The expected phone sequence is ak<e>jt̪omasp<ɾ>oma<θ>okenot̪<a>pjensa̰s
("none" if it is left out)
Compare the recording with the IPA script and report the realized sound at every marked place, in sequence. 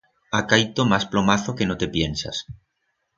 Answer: a, l, θ, e

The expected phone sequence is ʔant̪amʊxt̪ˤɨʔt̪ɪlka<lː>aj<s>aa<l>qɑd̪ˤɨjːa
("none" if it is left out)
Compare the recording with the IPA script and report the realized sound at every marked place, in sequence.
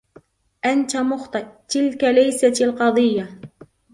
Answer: l, s, l

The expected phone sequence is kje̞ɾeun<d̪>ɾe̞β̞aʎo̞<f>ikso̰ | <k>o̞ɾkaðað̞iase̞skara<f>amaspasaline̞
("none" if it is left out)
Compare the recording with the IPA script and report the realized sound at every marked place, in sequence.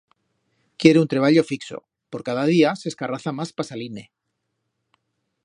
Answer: t̪, f, p, θ

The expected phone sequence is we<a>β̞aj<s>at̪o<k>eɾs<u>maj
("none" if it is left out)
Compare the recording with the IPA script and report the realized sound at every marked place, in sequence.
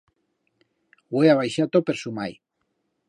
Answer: a, ʃ, p, u

